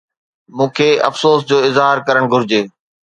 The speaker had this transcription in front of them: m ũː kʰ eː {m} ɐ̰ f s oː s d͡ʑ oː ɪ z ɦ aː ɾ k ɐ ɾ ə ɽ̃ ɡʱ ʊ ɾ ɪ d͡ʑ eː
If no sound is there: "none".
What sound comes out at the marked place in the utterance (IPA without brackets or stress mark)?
none